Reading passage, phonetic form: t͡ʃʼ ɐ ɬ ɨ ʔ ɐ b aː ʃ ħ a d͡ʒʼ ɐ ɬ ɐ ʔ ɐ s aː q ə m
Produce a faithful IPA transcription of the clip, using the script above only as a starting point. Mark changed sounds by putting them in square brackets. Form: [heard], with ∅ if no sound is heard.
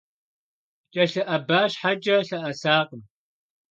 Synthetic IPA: t͡ʃʼ ɐ ɬ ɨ ʔ ɐ b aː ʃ ħ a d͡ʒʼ ɐ ɬ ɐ ʔ ɐ s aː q ə m

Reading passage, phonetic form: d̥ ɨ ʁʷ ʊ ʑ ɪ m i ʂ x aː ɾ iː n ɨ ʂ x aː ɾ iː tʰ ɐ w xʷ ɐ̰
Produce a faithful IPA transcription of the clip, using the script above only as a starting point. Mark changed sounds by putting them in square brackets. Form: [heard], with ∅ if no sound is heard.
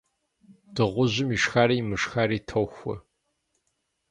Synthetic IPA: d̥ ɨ ʁʷ ʊ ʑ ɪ m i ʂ x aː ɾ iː [m] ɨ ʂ x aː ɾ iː tʰ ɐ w xʷ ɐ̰

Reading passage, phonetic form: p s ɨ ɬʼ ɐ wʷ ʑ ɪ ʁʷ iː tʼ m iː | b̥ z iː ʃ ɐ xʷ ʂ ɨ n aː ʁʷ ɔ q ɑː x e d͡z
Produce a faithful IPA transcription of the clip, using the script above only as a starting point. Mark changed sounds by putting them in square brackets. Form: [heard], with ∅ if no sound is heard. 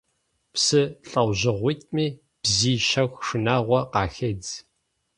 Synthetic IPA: p s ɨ ɬʼ ɐ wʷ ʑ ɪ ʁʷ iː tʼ m iː | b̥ z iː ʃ ɐ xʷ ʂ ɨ n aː ʁʷ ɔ q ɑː x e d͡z

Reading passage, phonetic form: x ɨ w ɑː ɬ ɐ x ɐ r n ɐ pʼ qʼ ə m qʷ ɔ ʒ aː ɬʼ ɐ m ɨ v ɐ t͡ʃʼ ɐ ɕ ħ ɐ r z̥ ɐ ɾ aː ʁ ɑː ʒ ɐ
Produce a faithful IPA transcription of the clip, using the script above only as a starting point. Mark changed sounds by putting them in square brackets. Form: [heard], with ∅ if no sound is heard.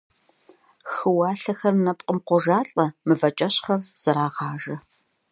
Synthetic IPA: x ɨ w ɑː ɬ ɐ x ɐ r n ɐ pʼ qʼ ə m qʷ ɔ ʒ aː ɬʼ ɐ m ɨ v ɐ t͡ʃʼ ɐ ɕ [χ] ɐ r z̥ ɐ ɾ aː ʁ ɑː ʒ ɐ

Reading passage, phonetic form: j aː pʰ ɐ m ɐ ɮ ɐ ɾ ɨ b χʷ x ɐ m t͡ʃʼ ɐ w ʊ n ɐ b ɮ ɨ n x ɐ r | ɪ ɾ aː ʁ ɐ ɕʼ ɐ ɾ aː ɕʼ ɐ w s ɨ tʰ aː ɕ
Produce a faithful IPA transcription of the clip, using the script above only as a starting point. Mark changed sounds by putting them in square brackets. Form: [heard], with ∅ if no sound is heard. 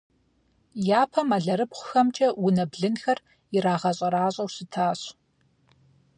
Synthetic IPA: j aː pʰ ɐ m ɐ ɮ ɐ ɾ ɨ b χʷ x ɐ m t͡ʃʼ ɐ w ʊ n ɐ b ɮ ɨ n x ɐ r | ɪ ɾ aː ʁ ɐ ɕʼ ɐ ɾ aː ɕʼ ɐ w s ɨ tʰ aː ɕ

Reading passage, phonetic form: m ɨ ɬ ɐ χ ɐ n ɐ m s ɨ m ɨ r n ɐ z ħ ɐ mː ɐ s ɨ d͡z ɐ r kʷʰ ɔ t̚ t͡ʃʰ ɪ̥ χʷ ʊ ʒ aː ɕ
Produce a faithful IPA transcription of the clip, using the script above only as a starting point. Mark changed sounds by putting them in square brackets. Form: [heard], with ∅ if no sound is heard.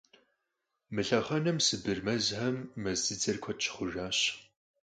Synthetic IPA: m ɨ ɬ ɐ χ ɐ n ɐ m s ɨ [b] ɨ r [m] ɐ z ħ ɐ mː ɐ [z] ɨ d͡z ɐ r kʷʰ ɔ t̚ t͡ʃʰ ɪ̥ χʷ ʊ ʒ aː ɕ

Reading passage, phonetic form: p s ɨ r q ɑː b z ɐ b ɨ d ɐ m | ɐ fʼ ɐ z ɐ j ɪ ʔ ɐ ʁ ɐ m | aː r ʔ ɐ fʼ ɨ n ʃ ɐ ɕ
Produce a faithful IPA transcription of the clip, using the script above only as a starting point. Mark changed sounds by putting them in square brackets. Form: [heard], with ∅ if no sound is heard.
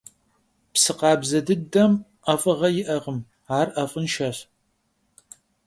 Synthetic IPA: p s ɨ [∅] q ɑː b z ɐ [d] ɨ d ɐ m | ɐ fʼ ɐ [ʁ] ɐ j ɪ ʔ ɐ ʁ [ə] m | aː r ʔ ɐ fʼ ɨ n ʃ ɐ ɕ

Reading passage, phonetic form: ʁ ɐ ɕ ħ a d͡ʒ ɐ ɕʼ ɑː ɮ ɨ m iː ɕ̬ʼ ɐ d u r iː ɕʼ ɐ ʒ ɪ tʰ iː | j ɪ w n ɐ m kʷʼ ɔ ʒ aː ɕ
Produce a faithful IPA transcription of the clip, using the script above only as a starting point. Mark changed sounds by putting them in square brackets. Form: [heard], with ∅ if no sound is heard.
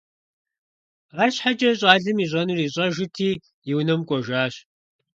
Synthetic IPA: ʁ ɐ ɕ ħ a d͡ʒ ɐ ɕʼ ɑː ɮ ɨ m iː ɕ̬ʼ ɐ [n] u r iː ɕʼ ɐ ʒ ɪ tʰ iː | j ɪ w n ɐ m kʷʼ ɔ ʒ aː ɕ

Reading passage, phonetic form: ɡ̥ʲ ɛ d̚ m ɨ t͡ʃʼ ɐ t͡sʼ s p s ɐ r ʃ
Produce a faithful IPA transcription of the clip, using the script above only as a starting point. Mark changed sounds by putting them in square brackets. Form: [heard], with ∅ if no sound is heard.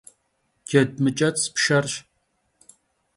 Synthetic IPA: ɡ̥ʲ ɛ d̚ m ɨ t͡ʃʼ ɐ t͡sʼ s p [ʃ] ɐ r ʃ

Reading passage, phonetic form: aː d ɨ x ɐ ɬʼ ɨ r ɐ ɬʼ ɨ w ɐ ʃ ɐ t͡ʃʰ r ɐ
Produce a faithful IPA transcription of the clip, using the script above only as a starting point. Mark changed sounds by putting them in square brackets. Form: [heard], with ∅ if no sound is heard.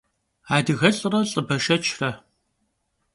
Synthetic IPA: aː d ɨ [ɣ] ɐ ɬʼ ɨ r ɐ ɬʼ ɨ [b] ɐ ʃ ɐ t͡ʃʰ r ɐ

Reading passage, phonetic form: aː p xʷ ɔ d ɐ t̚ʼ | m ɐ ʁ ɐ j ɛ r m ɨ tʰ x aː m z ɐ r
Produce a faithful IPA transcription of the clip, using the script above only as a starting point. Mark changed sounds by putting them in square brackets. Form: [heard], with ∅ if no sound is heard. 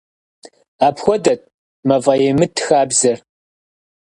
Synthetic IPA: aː p xʷ ɔ d ɐ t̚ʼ | m ɐ [v] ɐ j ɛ [∅] m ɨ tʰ x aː [b] z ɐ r

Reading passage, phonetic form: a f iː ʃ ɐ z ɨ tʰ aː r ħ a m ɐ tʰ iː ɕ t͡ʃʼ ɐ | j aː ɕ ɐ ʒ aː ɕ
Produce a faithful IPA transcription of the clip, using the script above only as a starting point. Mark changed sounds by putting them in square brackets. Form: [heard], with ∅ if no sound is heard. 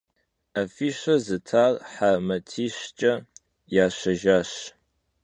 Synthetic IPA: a f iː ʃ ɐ z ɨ tʰ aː r ħ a m ɐ tʰ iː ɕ t͡ʃʼ ɐ | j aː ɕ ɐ ʒ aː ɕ

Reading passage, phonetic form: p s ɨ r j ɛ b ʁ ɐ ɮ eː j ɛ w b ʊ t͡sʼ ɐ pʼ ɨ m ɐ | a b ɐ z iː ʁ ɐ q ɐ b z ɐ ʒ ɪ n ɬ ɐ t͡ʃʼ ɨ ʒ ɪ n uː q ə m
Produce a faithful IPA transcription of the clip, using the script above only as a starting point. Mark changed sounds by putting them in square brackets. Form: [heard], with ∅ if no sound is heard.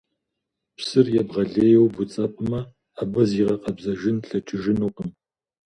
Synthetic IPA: p s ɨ r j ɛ b ʁ ɐ ɮ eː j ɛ w b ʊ t͡sʼ ɐ pʼ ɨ m ɐ | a b ɐ z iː ʁ ɐ q ɐ b z ɐ ʒ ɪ n ɬ ɐ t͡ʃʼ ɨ ʒ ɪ n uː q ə m

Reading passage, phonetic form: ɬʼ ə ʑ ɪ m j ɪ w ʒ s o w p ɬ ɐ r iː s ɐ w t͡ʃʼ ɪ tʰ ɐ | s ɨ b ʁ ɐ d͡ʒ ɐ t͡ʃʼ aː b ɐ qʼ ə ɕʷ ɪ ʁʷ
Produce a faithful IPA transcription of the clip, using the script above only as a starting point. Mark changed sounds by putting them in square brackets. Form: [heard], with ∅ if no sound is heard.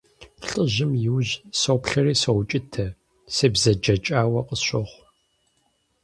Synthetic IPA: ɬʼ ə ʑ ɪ m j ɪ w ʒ s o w p ɬ ɐ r iː s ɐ w t͡ʃʼ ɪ tʰ ɐ | s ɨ b [z] ɐ d͡ʒ ɐ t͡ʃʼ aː [w] ɐ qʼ ə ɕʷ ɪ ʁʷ

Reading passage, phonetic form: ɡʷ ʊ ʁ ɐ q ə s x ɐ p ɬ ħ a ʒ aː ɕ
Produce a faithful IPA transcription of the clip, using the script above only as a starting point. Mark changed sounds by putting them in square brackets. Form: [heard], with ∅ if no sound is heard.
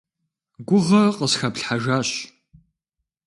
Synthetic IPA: ɡʷ ʊ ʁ ɐ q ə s x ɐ p ɬ ħ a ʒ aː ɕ

